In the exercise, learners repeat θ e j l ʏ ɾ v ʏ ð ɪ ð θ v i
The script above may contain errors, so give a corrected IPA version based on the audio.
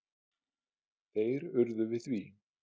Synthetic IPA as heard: θ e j ɾ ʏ ɾ ð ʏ v ɪ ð θ v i